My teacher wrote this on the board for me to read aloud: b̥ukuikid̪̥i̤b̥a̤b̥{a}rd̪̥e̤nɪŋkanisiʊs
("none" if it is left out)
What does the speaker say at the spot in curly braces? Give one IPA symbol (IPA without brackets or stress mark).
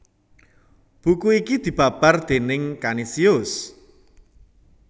a